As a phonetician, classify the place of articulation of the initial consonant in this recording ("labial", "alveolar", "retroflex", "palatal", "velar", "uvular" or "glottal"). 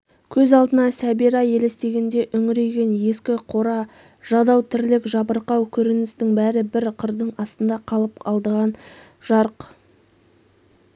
velar